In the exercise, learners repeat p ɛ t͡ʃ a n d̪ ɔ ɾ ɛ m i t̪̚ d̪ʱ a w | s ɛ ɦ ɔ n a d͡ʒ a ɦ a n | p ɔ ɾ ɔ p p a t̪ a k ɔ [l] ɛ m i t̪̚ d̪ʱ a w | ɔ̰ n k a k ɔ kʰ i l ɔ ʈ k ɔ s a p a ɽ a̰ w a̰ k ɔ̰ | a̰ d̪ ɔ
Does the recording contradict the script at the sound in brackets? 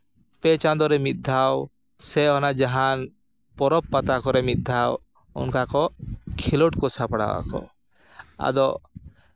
yes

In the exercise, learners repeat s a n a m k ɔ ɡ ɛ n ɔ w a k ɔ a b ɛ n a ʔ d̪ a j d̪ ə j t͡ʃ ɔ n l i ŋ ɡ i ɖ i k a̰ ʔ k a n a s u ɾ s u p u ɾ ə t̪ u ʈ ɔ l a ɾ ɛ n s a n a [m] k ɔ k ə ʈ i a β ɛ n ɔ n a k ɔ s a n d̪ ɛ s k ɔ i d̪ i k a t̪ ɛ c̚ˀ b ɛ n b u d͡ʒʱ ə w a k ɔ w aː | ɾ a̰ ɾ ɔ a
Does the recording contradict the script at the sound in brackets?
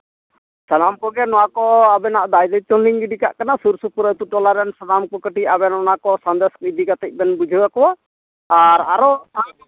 no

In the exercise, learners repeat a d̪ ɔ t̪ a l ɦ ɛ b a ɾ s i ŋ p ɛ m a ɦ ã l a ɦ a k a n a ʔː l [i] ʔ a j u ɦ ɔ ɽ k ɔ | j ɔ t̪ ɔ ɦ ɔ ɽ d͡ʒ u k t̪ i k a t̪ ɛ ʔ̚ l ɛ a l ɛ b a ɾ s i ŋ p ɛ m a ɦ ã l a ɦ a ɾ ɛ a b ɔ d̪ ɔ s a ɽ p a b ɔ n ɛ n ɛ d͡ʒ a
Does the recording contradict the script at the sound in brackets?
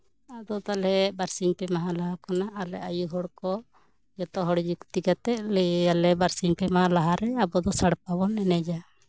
yes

